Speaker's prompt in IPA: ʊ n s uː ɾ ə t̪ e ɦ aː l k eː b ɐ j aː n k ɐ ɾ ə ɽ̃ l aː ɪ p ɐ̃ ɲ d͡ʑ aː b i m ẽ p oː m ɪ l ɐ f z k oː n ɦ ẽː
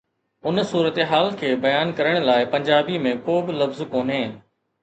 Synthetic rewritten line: ʊ n s uː ɾ ə t̪ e ɦ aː l kʰ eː b ɐ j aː n k ɐ ɾ ə ɽ̃ l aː ɪ p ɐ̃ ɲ d͡ʑ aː b i m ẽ k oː b ɪ l ɐ f z k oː n ɦ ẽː